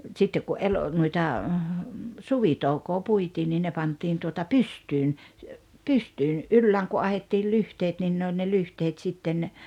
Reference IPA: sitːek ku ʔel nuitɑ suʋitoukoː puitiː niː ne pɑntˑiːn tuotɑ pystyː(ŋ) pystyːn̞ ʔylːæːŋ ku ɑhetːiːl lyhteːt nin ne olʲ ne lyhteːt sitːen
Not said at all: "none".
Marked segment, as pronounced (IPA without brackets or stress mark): n